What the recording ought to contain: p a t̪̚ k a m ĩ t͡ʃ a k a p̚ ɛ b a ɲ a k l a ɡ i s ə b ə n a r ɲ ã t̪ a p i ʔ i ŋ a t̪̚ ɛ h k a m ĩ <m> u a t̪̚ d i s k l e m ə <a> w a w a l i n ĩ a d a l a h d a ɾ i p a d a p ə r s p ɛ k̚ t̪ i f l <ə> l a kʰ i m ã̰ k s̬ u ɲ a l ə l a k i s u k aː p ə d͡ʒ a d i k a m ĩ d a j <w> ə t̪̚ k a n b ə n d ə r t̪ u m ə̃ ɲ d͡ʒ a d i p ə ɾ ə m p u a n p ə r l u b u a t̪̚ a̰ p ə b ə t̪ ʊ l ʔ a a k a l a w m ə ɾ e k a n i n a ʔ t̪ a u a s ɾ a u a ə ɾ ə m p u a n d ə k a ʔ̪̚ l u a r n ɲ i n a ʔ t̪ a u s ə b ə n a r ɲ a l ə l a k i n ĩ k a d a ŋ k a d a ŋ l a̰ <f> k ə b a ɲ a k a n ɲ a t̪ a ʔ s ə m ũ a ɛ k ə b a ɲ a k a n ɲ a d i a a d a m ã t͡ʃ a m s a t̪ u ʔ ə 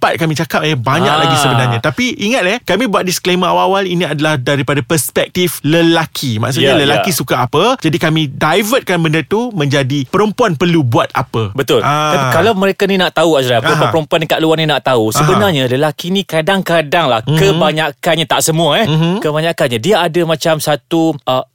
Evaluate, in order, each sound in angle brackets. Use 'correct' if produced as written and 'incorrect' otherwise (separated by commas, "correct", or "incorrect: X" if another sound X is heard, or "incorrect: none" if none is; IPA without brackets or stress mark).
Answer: incorrect: b, correct, correct, incorrect: v, incorrect: h